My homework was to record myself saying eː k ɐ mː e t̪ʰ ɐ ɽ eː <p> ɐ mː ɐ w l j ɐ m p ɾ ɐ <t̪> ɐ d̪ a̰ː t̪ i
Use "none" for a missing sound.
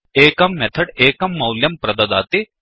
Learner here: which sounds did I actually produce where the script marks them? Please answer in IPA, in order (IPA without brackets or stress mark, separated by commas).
k, d̪